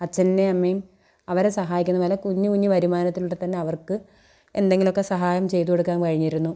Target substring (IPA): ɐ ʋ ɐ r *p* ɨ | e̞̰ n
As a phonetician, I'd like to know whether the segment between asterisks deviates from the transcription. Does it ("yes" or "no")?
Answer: yes